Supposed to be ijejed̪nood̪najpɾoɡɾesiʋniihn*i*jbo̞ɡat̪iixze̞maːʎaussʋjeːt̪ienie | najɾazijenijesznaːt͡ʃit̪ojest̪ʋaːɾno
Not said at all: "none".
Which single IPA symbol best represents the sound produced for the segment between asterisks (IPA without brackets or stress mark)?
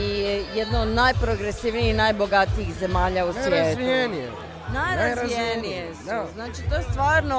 a